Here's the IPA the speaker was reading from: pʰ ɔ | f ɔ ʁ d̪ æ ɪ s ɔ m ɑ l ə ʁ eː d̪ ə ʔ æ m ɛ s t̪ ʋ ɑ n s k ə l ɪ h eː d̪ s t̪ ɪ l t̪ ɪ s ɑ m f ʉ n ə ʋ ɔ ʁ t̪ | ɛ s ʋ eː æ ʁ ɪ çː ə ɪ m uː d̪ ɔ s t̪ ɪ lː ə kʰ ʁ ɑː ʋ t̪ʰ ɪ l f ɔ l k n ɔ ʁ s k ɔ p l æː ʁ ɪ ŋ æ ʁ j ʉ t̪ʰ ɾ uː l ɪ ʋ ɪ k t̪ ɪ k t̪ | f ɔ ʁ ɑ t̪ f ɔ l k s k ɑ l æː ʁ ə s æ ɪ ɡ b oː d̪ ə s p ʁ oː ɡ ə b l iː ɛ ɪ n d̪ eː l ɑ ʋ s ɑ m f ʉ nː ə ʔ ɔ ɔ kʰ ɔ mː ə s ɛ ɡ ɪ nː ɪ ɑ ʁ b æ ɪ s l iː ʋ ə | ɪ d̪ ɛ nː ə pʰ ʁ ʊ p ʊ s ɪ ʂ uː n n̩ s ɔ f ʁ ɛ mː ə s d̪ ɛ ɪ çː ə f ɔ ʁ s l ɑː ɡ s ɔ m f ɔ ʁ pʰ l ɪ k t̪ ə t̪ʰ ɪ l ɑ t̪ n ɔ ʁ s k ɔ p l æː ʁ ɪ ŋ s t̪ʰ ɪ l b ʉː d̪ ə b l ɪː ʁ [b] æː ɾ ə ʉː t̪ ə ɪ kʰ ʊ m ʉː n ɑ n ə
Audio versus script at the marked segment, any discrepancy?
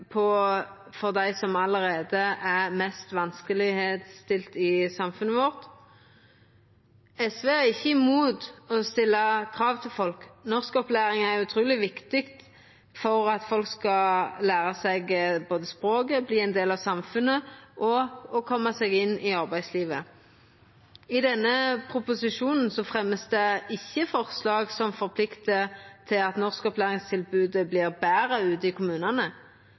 no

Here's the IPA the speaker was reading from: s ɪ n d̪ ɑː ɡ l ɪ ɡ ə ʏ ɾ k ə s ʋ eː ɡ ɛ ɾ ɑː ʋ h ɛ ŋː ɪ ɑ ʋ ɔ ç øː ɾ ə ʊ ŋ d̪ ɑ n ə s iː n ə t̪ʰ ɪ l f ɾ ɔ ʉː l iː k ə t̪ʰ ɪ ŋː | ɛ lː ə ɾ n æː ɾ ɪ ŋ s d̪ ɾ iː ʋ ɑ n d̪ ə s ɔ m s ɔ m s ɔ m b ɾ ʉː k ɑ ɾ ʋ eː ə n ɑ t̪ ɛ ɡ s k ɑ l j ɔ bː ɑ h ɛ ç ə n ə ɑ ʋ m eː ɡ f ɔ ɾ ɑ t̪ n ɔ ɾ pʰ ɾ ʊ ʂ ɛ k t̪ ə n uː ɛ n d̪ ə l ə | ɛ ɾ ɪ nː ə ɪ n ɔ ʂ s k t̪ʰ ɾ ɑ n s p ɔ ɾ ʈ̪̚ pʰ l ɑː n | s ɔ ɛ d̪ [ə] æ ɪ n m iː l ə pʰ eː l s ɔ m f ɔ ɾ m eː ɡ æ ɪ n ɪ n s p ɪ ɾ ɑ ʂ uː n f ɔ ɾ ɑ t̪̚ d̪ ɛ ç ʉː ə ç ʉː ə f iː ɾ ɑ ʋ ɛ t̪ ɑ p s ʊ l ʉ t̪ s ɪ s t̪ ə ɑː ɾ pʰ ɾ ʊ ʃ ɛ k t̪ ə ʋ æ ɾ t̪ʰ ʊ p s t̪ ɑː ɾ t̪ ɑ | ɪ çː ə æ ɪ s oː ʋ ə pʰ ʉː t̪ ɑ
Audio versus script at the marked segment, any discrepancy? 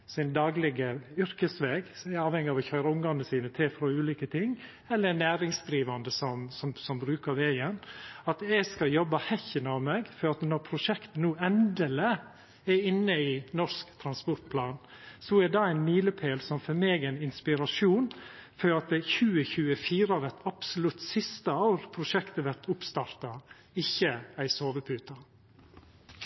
yes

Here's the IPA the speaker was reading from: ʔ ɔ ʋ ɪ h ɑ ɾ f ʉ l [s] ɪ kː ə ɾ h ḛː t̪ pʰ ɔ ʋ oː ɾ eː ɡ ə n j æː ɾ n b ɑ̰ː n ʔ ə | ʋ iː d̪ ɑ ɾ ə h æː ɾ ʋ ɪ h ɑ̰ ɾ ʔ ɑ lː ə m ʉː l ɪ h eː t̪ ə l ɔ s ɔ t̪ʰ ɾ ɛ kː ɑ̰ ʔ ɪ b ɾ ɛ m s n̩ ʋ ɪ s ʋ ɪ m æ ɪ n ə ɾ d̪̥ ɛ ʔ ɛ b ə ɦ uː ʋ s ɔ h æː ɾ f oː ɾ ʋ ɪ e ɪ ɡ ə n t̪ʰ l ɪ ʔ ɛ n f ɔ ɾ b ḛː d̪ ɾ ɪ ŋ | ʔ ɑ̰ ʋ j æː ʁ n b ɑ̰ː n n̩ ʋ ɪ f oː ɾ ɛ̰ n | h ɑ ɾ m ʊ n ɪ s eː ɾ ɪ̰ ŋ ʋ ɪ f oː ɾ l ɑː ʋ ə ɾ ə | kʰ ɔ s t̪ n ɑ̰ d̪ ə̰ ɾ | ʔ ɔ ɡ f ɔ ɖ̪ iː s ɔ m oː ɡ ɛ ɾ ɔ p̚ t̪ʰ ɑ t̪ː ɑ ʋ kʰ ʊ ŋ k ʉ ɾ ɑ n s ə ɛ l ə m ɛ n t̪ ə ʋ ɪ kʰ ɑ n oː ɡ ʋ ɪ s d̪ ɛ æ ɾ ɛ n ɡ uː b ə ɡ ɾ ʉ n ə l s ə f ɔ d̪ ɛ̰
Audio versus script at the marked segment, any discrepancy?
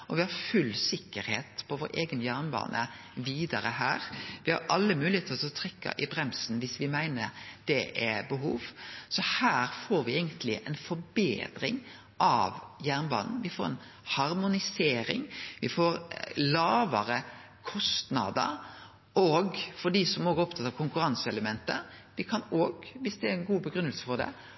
no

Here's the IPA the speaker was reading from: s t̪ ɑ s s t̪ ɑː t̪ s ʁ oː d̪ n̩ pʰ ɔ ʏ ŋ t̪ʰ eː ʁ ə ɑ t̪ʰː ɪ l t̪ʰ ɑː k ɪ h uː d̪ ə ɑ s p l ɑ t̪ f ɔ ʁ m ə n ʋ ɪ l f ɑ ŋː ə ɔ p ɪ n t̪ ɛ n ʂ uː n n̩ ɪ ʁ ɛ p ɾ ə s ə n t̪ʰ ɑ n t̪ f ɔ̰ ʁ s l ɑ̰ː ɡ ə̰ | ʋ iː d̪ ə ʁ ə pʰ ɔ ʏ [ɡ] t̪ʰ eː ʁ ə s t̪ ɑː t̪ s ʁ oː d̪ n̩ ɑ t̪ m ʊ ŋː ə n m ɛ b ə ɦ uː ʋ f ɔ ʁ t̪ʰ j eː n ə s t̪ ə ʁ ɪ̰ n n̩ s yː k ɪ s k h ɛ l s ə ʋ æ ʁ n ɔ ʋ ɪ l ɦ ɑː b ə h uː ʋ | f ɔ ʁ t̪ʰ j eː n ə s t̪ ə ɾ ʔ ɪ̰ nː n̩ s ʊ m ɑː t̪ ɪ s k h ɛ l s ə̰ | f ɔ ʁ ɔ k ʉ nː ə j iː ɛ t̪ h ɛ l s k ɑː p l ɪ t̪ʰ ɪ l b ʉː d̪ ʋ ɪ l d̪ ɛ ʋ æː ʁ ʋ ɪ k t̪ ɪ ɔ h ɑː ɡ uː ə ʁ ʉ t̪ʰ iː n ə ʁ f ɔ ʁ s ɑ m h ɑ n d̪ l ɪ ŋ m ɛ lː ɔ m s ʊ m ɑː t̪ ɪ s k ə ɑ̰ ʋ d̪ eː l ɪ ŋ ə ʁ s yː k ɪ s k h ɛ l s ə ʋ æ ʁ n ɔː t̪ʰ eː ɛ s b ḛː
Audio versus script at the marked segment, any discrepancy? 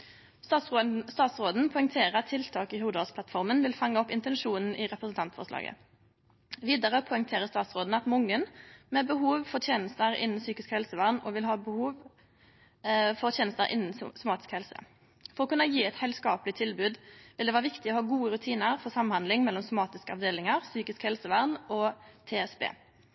yes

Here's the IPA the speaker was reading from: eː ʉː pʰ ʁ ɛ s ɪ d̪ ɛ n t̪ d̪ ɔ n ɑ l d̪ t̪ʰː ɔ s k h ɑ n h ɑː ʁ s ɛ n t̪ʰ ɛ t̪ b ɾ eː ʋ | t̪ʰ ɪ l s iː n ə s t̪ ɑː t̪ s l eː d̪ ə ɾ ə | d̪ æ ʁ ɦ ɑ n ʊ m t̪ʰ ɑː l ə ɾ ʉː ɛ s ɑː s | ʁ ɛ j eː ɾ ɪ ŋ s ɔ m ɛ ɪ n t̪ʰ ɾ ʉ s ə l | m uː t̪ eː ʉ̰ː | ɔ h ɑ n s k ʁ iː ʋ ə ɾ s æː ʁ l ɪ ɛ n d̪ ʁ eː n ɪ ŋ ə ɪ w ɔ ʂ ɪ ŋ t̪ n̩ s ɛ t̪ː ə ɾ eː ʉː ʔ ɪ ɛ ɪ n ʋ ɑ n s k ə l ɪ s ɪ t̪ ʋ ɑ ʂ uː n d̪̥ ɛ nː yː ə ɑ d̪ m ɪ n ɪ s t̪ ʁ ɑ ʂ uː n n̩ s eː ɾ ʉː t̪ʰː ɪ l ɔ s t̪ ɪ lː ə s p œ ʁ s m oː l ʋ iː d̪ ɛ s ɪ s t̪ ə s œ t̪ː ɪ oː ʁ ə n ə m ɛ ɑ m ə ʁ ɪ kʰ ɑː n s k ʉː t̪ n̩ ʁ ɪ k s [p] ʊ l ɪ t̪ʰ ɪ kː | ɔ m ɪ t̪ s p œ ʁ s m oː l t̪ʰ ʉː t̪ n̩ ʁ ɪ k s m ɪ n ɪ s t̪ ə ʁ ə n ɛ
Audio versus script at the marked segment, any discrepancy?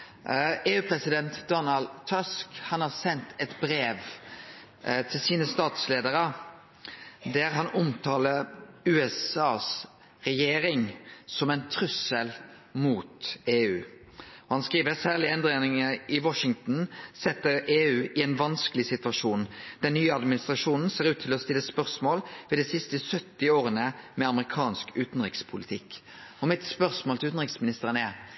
yes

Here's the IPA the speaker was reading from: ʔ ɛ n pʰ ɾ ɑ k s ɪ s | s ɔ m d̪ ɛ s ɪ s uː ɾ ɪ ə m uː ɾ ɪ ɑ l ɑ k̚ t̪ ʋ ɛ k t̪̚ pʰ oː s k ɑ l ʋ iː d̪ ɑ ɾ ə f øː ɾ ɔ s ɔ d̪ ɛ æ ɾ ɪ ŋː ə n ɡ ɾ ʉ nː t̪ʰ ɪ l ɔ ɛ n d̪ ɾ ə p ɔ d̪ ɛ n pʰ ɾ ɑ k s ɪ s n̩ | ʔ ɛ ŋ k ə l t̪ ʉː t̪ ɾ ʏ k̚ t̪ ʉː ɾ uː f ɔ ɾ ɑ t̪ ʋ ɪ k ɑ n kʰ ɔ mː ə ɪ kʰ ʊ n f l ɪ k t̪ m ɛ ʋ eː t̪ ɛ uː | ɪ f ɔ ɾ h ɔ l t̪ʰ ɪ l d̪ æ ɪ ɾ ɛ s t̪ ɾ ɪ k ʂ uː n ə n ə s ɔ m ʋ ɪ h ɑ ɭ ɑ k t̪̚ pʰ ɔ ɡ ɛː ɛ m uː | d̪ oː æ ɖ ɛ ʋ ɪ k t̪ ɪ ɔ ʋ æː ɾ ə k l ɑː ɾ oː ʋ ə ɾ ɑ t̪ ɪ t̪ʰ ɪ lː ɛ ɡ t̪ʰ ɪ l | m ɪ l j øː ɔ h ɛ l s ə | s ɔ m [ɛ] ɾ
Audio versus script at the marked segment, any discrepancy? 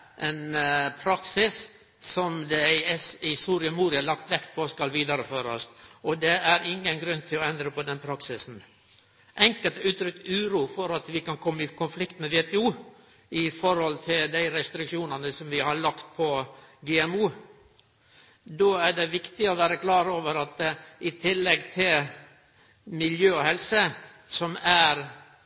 yes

